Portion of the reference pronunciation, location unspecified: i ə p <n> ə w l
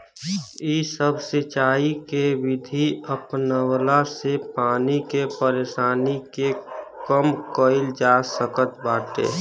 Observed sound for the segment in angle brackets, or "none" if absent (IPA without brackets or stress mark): n